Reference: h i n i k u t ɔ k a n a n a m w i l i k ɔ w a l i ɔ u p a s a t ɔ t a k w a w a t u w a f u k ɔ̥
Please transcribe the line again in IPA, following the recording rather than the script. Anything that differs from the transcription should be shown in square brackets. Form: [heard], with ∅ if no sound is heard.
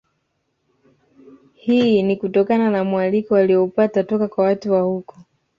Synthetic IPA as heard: h i n i k u t ɔ k a n a n a m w [a] l i k ɔ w a l i ɔ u p a [t] a t ɔ [k] a k w a w a t u w a [h] u k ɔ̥